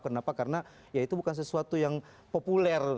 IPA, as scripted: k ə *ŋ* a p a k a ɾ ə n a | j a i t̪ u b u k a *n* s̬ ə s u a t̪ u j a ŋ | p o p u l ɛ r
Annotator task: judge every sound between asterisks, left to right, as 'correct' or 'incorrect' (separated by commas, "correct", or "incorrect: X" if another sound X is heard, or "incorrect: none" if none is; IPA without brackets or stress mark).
incorrect: n, correct